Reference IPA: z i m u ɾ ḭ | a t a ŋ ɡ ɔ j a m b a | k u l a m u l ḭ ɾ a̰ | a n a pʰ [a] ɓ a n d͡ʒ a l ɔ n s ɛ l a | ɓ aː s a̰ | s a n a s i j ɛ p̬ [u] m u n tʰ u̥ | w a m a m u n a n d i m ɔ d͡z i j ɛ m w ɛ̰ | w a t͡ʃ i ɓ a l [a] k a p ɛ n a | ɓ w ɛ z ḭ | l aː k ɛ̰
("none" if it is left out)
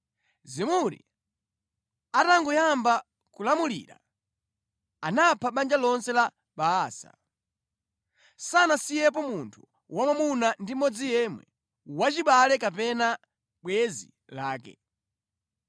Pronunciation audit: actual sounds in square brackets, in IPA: a, ɔ, ɛ

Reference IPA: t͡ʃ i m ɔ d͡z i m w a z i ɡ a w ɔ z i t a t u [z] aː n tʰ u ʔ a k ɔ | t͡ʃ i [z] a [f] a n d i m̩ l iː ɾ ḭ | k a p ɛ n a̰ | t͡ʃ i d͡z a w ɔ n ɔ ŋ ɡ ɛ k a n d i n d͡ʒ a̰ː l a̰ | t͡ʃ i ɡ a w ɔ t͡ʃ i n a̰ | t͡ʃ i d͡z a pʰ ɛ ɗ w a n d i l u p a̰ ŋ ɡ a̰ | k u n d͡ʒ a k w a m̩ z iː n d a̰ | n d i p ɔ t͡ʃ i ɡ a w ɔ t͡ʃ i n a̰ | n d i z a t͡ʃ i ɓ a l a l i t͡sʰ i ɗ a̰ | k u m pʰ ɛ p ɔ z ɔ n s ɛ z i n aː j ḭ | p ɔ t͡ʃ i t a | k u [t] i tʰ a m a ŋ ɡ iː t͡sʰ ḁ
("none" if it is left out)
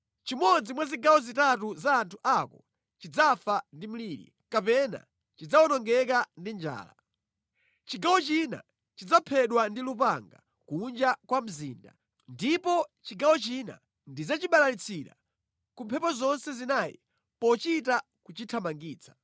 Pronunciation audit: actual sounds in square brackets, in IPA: z, d͡z, f, t͡ʃ

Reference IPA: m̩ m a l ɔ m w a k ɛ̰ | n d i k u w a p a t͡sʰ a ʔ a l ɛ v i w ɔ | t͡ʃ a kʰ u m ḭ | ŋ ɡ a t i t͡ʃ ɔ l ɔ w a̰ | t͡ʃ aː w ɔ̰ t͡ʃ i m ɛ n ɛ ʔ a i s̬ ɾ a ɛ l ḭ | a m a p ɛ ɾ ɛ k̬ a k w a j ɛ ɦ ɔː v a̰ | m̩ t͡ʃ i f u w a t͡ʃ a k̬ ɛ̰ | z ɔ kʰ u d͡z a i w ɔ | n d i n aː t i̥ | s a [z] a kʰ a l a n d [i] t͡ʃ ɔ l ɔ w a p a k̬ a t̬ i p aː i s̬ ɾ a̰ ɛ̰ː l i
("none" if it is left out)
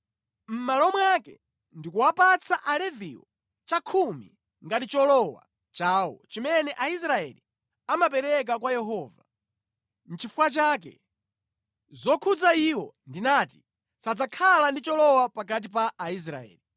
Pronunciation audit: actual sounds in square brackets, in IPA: d͡z, i

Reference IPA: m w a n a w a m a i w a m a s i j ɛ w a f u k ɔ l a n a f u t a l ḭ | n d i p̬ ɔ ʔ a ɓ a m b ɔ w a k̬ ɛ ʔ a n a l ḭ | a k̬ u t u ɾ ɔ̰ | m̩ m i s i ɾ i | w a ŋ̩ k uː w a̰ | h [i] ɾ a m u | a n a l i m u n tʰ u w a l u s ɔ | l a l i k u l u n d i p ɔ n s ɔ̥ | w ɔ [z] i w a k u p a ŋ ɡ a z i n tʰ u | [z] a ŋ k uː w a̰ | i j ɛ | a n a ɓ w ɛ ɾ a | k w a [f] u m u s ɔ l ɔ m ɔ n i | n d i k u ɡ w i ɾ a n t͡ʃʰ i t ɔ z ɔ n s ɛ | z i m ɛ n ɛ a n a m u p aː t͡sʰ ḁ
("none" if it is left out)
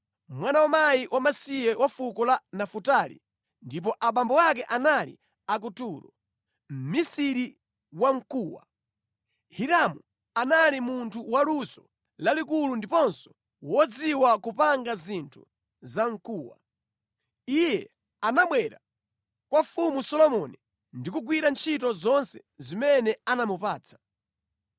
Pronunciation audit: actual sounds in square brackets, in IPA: i, d͡z, z, f

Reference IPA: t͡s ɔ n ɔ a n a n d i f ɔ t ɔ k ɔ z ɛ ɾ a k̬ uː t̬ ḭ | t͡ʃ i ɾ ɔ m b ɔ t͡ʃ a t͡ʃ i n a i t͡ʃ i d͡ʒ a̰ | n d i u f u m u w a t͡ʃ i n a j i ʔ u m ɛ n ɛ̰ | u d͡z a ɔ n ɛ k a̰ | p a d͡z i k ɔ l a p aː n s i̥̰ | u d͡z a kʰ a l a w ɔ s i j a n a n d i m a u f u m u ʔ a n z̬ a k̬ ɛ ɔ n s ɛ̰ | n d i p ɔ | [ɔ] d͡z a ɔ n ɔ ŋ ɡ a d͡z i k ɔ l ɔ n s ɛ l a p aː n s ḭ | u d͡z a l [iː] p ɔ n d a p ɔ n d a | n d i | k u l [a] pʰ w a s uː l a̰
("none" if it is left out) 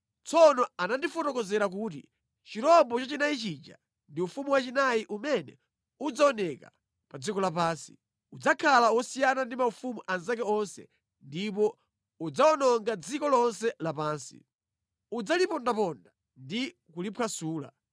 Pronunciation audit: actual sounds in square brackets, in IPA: u, i, i

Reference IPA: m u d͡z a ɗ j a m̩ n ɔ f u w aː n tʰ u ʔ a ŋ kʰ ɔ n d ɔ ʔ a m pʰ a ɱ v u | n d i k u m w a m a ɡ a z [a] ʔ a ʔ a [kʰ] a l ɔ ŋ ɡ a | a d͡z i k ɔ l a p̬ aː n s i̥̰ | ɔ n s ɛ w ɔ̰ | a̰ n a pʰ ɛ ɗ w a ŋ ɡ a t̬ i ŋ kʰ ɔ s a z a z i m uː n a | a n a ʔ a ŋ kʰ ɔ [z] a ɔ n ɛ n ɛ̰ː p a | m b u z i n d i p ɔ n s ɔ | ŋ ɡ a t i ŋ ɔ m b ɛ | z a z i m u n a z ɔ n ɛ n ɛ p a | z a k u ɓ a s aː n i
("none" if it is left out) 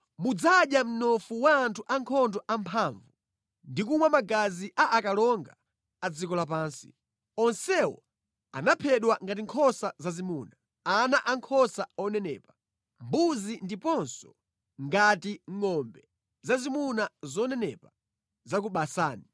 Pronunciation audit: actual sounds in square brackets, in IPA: i, k, s

